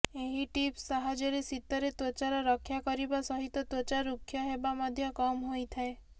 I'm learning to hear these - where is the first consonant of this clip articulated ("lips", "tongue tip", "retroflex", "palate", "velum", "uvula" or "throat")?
throat